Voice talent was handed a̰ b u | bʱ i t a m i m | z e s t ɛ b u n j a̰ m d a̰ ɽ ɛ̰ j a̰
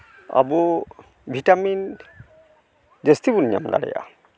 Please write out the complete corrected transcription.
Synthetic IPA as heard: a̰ b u | bʱ i t a m i n | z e s t i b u n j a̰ m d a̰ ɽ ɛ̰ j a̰